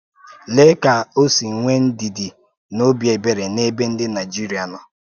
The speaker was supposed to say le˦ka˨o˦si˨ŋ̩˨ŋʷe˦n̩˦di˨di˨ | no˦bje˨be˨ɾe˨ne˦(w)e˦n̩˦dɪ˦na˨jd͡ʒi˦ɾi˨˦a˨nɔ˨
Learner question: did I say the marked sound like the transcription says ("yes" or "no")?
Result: no